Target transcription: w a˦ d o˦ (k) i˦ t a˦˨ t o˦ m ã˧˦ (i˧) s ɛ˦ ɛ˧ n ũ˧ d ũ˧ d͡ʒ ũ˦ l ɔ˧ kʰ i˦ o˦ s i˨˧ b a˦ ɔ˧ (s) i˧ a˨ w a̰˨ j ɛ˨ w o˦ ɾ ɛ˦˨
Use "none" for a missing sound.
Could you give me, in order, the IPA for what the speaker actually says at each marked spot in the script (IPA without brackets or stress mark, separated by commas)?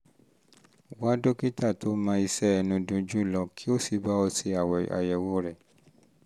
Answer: k, i˧, s